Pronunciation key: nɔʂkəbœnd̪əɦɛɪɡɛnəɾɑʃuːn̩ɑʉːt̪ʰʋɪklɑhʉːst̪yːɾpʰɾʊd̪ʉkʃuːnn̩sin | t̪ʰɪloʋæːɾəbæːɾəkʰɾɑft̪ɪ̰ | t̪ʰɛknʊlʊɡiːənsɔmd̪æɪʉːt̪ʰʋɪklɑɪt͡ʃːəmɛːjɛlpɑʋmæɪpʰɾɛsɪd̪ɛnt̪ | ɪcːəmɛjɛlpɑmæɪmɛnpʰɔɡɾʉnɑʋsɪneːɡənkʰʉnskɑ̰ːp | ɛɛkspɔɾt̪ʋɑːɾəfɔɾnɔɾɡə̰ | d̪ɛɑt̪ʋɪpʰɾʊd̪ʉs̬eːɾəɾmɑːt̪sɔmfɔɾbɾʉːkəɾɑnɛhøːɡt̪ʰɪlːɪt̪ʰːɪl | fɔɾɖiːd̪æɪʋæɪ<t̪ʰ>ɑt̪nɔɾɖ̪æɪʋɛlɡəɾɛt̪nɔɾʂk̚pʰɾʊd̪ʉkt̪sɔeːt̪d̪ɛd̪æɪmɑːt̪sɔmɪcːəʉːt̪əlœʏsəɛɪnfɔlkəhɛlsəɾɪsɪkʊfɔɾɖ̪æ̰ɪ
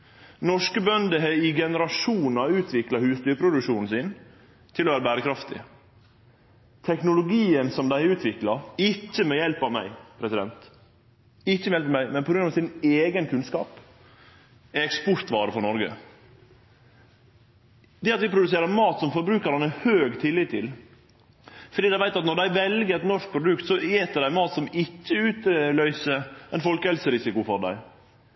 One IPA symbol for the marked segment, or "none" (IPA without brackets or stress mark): t̪